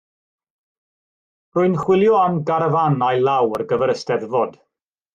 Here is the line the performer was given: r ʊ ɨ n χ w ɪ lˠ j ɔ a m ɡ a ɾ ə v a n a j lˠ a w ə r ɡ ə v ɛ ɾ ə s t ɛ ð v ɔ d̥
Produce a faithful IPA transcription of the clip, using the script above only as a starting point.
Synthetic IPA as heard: r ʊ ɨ n χ w ɪ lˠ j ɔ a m ɡ a ɾ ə v a n a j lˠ a w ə r ɡ ə v ɛ ɾ ə s t ɛ ð v ɔ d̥